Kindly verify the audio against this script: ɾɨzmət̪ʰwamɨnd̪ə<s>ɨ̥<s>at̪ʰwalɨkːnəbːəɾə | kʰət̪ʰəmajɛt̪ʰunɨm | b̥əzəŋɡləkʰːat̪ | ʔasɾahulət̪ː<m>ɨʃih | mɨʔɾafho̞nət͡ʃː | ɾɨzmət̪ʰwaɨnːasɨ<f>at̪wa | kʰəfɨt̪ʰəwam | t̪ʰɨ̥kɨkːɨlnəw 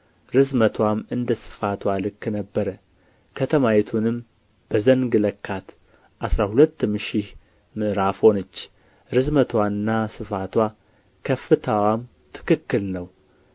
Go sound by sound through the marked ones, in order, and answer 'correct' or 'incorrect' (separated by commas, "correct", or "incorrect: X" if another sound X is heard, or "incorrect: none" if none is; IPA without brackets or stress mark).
correct, incorrect: f, correct, correct